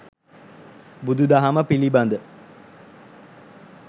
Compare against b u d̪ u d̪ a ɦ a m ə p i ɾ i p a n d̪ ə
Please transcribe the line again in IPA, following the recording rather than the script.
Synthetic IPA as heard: b u d̪ u d̪ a ɦ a m ə p i l i b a n d̪ ə